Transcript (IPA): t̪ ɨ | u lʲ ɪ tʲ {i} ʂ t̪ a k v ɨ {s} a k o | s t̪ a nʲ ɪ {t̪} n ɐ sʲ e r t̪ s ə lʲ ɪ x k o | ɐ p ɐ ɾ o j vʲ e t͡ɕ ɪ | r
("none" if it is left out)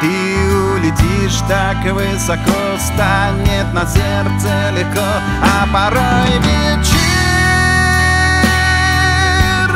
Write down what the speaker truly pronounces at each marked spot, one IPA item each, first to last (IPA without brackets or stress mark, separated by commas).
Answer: i, s, t̪